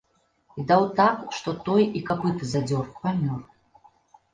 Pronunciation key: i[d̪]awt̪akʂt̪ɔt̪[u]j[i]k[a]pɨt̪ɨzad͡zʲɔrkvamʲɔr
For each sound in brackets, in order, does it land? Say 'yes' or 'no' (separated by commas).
yes, no, yes, yes